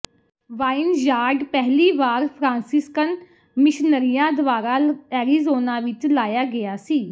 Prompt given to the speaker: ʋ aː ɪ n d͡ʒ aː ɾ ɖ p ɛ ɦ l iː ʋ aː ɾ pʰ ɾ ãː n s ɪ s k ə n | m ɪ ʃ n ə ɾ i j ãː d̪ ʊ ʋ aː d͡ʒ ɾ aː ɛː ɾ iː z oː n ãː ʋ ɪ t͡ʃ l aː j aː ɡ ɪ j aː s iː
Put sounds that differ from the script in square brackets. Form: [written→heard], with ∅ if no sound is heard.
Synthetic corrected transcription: ʋ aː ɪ n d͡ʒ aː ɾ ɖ p ɛ ɦ l iː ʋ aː ɾ pʰ ɾ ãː n s ɪ s k ə n | m ɪ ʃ n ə ɾ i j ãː d̪ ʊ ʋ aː [d͡ʒ→∅] ɾ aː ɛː ɾ iː z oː n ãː ʋ ɪ t͡ʃ l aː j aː ɡ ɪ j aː s iː